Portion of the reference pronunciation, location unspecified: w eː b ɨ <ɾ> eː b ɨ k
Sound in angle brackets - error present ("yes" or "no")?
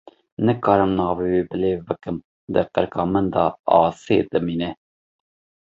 yes